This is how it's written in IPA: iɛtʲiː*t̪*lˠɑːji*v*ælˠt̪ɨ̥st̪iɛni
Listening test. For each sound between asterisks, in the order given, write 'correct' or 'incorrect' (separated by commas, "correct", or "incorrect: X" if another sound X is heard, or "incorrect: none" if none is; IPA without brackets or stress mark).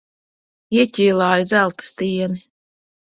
incorrect: none, incorrect: z